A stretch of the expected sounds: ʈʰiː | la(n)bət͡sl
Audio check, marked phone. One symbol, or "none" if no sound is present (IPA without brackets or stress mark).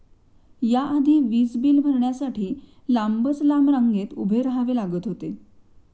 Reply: m